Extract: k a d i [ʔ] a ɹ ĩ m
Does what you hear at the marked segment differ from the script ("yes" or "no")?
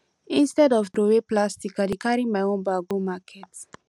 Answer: yes